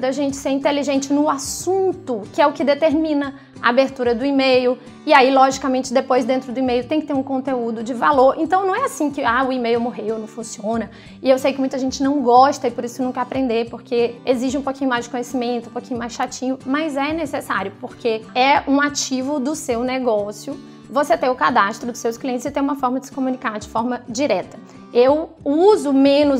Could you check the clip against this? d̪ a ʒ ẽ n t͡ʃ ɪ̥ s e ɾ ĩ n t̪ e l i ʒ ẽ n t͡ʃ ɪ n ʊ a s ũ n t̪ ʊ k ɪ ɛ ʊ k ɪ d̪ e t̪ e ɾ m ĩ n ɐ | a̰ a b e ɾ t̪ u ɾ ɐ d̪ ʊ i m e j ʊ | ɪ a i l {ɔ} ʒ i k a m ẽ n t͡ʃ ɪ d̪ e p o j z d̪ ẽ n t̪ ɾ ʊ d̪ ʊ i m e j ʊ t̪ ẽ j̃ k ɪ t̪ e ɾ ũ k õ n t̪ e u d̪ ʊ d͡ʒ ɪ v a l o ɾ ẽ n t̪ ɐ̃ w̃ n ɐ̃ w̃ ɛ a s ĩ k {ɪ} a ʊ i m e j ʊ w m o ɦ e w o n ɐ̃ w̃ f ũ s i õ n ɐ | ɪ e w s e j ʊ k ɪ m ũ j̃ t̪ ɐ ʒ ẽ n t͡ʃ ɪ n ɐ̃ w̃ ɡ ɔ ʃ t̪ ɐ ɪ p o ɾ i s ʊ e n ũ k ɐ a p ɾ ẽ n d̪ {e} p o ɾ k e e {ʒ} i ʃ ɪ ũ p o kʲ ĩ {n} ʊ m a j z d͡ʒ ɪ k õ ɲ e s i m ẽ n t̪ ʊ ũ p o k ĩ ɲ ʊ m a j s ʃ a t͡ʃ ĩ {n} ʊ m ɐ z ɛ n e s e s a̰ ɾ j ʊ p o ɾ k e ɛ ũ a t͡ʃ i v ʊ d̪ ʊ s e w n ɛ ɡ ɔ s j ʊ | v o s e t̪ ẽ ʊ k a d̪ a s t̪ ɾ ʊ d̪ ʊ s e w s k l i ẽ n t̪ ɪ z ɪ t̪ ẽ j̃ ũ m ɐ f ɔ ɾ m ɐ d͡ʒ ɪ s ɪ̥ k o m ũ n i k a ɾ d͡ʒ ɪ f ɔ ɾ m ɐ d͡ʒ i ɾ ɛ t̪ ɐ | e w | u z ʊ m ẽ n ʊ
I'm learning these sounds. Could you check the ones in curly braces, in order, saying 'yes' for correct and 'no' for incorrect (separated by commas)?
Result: yes, yes, yes, no, no, no